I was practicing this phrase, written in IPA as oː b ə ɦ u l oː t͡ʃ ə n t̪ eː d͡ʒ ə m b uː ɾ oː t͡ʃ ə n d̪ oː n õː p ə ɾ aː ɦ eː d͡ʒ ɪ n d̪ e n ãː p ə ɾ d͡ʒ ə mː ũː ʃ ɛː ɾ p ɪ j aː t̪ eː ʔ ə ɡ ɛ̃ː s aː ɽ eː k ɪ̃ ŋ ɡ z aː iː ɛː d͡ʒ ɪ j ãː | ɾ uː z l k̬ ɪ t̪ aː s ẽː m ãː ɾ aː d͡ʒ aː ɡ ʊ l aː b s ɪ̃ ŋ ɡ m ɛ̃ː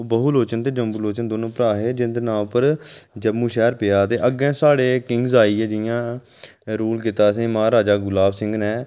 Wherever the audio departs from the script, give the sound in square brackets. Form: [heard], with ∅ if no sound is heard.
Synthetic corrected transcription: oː b ə ɦ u l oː t͡ʃ ə n t̪ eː d͡ʒ ə m b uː [l] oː t͡ʃ ə n d̪ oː n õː p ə ɾ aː ɦ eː d͡ʒ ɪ n d̪ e n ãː p ə ɾ d͡ʒ ə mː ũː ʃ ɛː ɾ p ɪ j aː t̪ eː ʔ ə ɡ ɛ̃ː s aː ɽ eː k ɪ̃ ŋ ɡ z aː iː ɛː d͡ʒ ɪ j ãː | ɾ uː [∅] l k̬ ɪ t̪ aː s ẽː m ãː ɾ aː d͡ʒ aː ɡ ʊ l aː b s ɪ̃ ŋ ɡ [n] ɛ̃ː

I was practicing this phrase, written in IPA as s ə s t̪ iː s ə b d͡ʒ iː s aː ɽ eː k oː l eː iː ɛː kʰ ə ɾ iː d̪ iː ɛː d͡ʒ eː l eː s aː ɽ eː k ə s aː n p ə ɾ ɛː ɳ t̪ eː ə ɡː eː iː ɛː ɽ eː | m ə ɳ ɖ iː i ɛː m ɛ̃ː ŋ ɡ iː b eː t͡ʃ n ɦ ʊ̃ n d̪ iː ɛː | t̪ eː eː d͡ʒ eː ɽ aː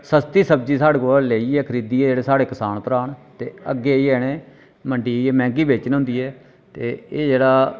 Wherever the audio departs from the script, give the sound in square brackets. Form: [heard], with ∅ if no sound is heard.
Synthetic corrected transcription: s ə s t̪ iː s ə b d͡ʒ iː s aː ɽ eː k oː l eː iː ɛː kʰ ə ɾ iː d̪ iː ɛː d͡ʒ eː [ɽ] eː s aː ɽ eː k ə s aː n p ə ɾ [aː] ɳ t̪ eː ə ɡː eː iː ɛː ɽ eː | m ə ɳ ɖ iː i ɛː m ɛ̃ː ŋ ɡ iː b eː t͡ʃ n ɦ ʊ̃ n d̪ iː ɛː | t̪ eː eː d͡ʒ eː ɽ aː

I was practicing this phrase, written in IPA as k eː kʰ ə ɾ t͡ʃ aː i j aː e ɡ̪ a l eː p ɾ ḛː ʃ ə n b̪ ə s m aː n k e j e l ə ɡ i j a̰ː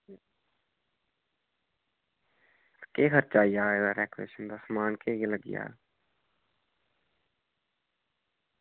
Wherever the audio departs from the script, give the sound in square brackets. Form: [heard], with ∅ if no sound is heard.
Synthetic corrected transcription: k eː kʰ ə ɾ t͡ʃ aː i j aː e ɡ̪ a [ɾ] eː [k] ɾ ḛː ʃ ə n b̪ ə s m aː n k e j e l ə ɡ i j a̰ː

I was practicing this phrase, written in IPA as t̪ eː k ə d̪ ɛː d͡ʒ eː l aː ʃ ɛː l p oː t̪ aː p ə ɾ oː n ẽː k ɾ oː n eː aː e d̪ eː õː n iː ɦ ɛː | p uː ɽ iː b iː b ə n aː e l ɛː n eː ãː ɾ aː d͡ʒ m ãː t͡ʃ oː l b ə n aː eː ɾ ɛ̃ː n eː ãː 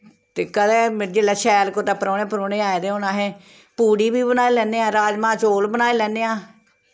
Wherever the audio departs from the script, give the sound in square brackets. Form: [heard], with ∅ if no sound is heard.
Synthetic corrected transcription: t̪ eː k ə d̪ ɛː d͡ʒ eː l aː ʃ ɛː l [k] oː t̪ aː p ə ɾ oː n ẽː [p] ɾ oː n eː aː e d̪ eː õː n [aː] ɦ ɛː | p uː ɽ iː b iː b ə n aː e l ɛː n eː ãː ɾ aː d͡ʒ m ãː t͡ʃ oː l b ə n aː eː [l] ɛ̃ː n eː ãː

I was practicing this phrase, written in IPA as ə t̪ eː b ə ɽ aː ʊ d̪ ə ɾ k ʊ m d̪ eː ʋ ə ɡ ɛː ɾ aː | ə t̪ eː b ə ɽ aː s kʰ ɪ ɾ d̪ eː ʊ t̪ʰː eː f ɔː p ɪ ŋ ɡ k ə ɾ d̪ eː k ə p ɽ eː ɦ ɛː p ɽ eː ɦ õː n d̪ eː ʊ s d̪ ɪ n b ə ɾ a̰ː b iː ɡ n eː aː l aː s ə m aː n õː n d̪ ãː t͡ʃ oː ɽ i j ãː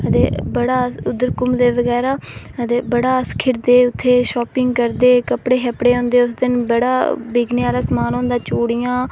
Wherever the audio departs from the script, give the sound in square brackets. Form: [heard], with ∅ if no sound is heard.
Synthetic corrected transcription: ə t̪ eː b ə ɽ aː ʊ d̪ ə ɾ k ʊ m d̪ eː ʋ ə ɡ ɛː ɾ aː | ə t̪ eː b ə ɽ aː s kʰ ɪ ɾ d̪ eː ʊ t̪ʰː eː [ʃ] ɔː p ɪ ŋ ɡ k ə ɾ d̪ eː k ə p ɽ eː ɦ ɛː p ɽ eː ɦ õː n d̪ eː ʊ s d̪ ɪ n b ə [ɽ] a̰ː b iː ɡ n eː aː l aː s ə m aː n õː n d̪ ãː t͡ʃ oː ɽ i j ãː

